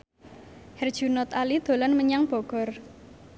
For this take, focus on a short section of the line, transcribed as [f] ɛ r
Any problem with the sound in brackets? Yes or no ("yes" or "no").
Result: yes